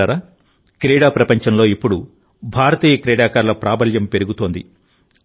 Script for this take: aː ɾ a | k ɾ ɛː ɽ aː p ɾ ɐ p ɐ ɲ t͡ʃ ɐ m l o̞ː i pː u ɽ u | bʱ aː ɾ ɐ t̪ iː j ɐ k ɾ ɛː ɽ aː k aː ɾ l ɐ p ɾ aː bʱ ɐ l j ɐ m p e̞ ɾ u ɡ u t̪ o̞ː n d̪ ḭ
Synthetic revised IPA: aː ɾ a | k ɾ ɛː ɽ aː p ɾ ɐ p ɐ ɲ t͡ʃ ɐ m l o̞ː i pː u ɽ u | bʱ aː ɾ ɐ t̪ iː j ɐ k ɾ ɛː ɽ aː k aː ɾ l ɐ p ɾ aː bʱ ɐ l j ɐ m p e̞ ɾ u ɡ u t̪ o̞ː n d̪ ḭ